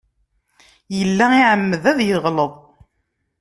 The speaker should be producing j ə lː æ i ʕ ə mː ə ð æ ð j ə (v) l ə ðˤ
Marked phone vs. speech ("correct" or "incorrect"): incorrect